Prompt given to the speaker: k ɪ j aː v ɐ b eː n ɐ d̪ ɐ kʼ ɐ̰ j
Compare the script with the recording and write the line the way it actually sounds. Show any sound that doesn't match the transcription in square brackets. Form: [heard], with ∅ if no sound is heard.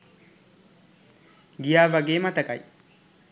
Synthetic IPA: [ɡ] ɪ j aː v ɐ [ɡ] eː [m] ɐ [t̪] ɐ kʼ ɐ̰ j

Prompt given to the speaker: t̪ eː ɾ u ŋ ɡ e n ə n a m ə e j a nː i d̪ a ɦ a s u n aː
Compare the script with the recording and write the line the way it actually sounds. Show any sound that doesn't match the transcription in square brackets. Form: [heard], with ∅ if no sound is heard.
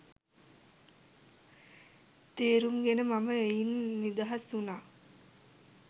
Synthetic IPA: t̪ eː ɾ u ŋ ɡ e n ə [m] a m ə e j [i] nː i d̪ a ɦ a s u n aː

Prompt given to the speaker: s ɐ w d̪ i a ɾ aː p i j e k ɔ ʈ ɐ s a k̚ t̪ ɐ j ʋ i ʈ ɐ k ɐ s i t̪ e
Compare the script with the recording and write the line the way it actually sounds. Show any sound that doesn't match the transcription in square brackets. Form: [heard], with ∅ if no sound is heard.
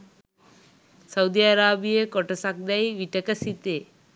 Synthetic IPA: s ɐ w d̪ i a ɾ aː [b] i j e k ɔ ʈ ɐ s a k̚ [d̪] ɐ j ʋ i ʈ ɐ k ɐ s i t̪ e

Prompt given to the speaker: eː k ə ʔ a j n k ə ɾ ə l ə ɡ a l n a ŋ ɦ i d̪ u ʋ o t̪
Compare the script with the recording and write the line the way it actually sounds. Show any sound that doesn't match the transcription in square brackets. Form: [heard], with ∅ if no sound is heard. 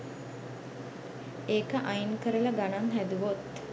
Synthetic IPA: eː k ə ʔ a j n k ə ɾ ə l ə ɡ a [∅] n a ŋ ɦ [æ] d̪ u ʋ o t̪

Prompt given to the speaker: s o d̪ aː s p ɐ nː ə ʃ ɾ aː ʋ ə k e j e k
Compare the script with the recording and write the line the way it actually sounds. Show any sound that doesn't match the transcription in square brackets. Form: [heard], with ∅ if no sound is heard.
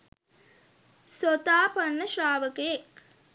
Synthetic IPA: s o [t̪] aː [∅] p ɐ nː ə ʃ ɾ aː ʋ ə k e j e k

